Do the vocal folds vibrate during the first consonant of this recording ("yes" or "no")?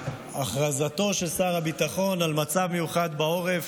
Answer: no